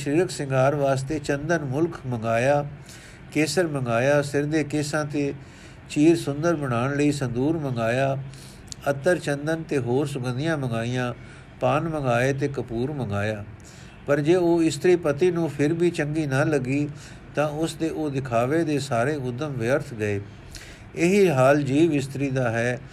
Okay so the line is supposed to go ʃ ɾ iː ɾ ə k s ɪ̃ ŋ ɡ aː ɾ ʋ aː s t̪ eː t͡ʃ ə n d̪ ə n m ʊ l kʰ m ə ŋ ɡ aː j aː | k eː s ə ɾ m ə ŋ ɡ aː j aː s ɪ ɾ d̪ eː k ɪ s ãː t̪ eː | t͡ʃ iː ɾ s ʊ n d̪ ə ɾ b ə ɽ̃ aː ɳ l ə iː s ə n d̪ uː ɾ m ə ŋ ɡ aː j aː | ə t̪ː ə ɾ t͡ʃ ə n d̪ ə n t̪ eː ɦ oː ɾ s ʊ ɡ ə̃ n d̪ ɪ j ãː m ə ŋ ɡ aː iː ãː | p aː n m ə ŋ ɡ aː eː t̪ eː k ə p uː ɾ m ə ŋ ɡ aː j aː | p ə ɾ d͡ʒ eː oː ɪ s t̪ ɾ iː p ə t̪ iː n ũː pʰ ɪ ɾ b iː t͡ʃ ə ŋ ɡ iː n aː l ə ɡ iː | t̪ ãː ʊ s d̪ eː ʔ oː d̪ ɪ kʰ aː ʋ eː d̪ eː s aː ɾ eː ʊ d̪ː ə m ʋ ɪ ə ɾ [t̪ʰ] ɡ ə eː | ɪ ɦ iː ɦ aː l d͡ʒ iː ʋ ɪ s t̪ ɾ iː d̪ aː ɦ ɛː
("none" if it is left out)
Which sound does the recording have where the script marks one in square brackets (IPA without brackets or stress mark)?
t̪ʰ